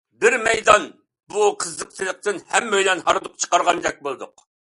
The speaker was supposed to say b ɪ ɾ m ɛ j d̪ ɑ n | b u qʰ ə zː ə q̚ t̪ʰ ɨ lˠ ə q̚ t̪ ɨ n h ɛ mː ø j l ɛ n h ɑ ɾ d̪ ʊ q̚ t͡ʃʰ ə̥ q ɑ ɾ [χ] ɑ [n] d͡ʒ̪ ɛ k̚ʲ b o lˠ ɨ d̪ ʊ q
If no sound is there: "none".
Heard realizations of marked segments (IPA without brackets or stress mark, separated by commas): ʁ, n